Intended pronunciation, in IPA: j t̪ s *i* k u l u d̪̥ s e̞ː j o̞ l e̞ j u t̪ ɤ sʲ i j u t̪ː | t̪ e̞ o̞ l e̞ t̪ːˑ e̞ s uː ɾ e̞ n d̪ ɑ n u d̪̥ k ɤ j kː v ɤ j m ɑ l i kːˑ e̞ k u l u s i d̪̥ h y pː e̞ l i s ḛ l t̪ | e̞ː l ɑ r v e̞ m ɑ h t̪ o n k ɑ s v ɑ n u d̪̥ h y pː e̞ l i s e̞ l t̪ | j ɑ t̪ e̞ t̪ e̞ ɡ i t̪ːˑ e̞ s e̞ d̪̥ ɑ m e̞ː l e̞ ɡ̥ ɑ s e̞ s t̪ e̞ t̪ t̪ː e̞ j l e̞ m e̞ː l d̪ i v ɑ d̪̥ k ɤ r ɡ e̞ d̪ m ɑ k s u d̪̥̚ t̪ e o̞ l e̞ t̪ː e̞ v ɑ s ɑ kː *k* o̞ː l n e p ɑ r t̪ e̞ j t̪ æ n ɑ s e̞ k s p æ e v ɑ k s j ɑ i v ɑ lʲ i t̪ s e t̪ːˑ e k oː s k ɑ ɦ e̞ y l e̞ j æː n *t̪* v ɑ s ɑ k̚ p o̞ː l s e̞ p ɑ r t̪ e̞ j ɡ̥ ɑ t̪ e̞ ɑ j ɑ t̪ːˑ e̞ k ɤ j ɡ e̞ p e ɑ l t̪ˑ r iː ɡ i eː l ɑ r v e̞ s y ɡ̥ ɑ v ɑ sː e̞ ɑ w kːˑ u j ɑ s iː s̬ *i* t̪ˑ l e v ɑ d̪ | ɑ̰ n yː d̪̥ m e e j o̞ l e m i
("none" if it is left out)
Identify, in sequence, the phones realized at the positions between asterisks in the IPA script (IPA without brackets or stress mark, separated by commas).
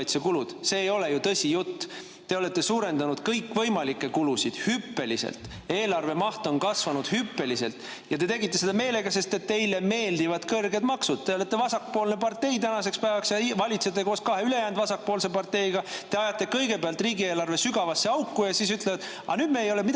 e, p, d̪, y